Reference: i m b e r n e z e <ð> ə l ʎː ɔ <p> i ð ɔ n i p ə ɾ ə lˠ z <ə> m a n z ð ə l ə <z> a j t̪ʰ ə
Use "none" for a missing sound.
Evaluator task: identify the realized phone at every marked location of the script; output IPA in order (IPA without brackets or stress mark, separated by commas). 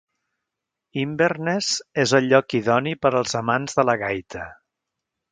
z, k, ə, ɣ